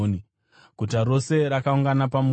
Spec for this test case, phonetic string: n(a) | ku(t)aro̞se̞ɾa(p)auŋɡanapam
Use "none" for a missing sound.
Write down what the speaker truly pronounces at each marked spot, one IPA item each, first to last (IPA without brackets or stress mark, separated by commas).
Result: i, t, k